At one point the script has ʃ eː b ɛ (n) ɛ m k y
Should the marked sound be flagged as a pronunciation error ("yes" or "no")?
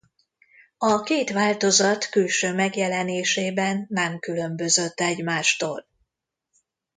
yes